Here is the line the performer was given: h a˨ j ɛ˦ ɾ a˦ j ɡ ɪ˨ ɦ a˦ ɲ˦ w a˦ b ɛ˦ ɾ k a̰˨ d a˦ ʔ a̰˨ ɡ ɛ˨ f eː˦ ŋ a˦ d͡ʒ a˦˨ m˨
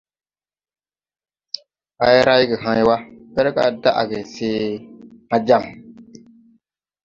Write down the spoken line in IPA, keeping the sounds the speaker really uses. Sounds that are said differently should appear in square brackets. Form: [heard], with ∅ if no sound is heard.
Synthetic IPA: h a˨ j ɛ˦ ɾ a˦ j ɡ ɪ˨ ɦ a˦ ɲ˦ w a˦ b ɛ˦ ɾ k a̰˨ d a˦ ʔ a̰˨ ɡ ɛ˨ [s] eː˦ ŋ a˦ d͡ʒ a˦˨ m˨